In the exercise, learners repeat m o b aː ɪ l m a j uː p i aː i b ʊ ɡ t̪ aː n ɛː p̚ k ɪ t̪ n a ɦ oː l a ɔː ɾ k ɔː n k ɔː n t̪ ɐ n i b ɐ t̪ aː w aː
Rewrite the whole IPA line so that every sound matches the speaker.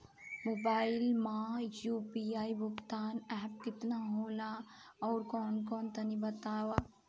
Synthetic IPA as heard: m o b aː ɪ l m a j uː p i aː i b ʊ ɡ t̪ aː n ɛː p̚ k ɪ t̪ n a ɦ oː l a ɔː ɾ k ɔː n k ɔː n t̪ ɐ n i b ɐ t̪ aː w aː